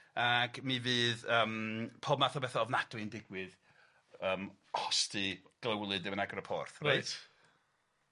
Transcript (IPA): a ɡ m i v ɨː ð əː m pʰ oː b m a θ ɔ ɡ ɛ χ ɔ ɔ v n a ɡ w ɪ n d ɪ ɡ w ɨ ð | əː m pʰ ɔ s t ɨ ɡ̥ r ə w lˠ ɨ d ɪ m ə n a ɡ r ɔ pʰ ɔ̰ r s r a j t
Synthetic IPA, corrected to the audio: a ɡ m i v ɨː ð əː m pʰ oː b m a θ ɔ b ɛ θ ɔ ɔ v n a d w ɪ n d ɪ ɡ w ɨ ð | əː m kʰ ɔ s t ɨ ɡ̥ l ə w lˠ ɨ d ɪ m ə n a ɡ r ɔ pʰ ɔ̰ r θ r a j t